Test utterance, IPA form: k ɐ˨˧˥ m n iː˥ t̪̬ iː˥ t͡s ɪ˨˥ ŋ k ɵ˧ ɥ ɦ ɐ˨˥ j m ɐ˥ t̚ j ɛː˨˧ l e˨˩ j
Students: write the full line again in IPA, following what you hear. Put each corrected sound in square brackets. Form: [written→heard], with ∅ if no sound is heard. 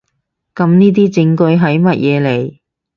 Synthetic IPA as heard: k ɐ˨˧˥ m n iː˥ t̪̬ iː˥ t͡s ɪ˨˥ ŋ k ɵ˧ ɥ ɦ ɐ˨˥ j m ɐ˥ t̚ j ɛː˨˧ l e˨˩ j